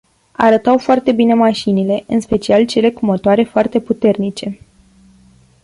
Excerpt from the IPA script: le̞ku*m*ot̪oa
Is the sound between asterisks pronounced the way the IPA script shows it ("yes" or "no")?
yes